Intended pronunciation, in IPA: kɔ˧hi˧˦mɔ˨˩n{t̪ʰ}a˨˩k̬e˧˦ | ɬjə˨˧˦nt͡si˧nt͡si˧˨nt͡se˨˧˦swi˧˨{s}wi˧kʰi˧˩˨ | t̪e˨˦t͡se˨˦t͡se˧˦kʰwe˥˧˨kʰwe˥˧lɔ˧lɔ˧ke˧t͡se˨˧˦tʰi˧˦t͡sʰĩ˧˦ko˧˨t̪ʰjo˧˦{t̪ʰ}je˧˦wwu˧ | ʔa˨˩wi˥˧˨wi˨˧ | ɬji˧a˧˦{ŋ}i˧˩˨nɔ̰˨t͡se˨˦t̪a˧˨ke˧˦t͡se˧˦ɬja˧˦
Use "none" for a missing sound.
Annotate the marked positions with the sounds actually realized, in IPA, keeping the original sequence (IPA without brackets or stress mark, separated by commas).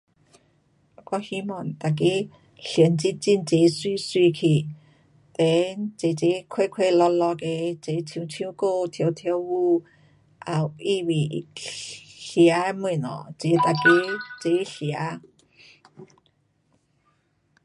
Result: t̪, s, t̪ʰ, m